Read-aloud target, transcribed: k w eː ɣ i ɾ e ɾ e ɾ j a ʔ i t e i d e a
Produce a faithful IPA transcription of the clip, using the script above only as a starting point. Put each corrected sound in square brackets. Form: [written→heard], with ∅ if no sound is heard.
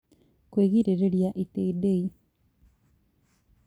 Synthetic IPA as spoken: k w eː ɣ i ɾ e ɾ e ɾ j a ʔ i t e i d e [a→i]

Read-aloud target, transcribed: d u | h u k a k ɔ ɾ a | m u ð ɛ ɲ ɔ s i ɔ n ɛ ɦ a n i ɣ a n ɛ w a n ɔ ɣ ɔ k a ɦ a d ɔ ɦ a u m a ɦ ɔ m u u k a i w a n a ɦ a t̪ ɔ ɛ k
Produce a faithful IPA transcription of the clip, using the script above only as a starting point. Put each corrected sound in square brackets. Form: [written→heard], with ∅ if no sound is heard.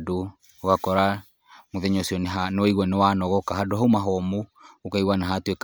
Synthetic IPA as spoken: d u | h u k a k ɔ ɾ a | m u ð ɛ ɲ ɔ s i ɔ n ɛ ɦ a n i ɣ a n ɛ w a n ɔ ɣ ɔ k a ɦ a d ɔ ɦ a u m a ɦ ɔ m u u k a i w a n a ɦ a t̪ [ɔ→u] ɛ k

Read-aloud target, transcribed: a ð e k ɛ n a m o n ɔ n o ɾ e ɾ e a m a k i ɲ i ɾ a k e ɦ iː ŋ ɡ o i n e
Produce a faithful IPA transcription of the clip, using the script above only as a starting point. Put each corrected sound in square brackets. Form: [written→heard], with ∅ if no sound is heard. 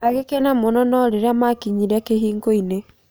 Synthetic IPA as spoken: a [ð→ɣ] e k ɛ n a m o n ɔ n [o→ɔ] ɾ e ɾ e a m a k i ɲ i ɾ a k e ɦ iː ŋ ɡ o i n e

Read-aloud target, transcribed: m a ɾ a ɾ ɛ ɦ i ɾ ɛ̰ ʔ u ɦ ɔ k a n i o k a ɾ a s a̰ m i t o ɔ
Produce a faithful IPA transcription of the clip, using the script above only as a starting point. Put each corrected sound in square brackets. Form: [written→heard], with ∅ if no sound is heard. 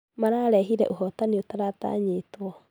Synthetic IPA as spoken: m a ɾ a ɾ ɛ ɦ i ɾ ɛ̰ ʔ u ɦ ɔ [k→t] a n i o [k→t] a ɾ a [s→t] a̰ [m→ɲ] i t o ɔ

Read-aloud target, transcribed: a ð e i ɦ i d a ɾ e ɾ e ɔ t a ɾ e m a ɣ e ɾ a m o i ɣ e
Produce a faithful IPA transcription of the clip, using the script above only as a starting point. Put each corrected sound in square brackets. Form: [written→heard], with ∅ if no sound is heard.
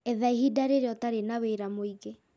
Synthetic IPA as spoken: [a→ɛ] ð [e→a] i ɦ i d a ɾ e ɾ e ɔ t a ɾ e [m→n] a [ɣ→w] e ɾ a m o i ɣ e

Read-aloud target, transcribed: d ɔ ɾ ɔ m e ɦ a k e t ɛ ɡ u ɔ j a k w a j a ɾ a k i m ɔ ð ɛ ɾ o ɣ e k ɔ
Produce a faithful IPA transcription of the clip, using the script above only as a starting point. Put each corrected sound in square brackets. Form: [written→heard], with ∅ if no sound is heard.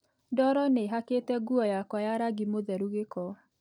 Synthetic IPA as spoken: d ɔ ɾ ɔ [m→n] e ɦ a k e t ɛ ɡ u ɔ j a k w a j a ɾ a [k→ɡ] i m [ɔ→o] ð ɛ ɾ [o→u] ɣ e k ɔ

